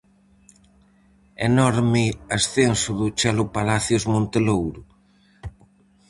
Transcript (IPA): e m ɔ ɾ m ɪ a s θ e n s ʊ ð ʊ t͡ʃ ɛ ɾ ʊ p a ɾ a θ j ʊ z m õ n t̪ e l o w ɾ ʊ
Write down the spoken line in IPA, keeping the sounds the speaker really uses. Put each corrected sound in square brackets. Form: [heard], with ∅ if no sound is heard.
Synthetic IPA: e [n] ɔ ɾ m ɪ a s θ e n s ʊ ð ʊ t͡ʃ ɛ [l] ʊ p a [l] a θ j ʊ z m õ n t̪ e l o w ɾ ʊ